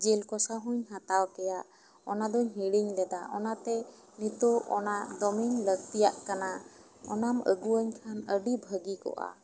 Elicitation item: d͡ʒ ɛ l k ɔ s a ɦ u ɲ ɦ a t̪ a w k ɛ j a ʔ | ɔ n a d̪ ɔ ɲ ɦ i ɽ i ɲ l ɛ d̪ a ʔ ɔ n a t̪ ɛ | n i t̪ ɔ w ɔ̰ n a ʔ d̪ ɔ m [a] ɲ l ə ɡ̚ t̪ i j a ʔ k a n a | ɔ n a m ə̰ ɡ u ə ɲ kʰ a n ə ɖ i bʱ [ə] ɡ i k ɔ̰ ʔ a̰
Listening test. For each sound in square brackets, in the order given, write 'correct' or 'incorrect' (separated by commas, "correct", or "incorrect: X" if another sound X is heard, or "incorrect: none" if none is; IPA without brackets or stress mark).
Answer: incorrect: i, correct